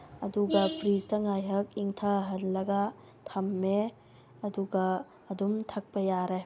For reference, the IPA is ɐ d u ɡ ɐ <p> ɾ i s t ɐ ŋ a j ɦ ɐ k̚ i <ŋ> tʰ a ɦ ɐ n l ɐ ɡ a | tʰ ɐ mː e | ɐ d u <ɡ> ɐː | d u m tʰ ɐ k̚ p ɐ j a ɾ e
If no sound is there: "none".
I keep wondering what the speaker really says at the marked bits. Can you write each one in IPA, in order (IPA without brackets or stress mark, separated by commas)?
pʰ, ŋ, ɡ